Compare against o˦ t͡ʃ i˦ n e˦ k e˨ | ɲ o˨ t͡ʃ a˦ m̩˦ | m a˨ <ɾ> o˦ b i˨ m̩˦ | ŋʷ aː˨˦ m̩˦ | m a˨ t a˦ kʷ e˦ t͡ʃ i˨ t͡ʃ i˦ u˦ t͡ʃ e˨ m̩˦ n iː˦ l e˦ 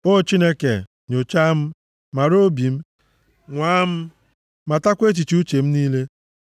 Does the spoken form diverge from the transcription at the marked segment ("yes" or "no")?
no